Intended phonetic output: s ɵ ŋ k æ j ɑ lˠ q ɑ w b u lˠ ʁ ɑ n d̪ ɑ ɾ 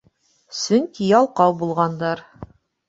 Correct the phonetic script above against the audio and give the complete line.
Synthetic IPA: s ɵ ŋ k i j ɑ lˠ q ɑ w b u lˠ ʁ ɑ n d̪ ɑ ɾ